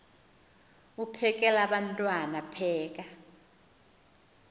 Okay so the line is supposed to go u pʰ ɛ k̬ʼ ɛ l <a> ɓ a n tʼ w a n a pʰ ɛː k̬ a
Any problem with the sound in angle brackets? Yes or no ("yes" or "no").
no